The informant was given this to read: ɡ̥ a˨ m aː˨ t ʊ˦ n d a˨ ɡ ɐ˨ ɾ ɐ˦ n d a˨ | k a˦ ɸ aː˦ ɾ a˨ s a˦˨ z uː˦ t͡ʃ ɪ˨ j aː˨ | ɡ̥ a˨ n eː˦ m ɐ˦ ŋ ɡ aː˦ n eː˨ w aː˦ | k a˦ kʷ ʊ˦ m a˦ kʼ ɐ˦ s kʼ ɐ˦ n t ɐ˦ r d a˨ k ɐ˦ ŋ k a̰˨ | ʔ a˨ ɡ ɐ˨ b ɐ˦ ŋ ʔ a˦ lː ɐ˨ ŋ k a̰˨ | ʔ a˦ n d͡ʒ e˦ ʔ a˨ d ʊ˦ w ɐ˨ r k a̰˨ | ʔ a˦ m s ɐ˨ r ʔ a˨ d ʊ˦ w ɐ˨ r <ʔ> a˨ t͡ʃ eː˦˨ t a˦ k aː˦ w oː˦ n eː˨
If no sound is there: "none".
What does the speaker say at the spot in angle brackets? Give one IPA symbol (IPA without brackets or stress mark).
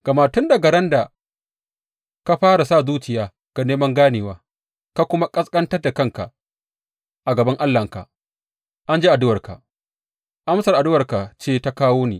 k